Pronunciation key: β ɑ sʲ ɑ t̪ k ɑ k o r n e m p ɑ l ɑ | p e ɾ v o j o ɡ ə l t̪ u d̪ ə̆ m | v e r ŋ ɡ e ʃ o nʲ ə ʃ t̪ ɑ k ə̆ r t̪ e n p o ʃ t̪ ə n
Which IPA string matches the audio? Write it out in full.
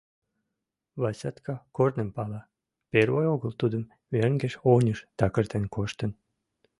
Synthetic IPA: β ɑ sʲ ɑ t̪ k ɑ k o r n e m p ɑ l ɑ | p e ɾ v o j o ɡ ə l t̪ u d̪ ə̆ m | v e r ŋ ɡ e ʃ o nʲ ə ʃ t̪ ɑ k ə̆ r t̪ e n k o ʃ t̪ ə n